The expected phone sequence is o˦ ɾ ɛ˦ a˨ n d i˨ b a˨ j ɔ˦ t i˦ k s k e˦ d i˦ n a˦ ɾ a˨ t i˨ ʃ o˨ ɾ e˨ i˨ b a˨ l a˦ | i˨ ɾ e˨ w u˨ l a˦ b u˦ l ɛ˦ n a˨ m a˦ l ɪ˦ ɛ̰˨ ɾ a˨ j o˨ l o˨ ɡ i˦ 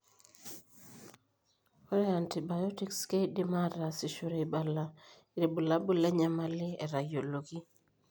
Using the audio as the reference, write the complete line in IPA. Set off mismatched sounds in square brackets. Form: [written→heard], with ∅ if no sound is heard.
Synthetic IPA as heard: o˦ ɾ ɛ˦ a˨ n [d→t] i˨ b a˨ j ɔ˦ t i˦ k s k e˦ d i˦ [n→m] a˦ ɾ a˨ [t→s] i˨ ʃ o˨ ɾ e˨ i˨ b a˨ l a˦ | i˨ ɾ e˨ [w→b] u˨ l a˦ b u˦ l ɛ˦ [n→ɲ] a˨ m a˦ l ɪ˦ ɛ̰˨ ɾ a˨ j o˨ l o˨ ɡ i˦